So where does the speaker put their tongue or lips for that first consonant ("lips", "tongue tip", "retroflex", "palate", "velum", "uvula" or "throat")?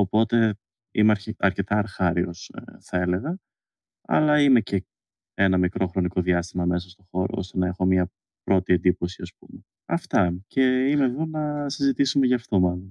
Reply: lips